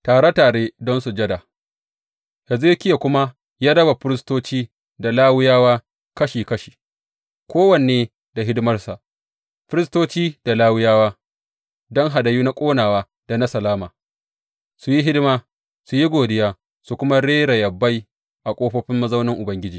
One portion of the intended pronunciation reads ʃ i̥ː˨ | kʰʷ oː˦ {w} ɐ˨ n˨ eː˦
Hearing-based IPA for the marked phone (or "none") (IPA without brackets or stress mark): w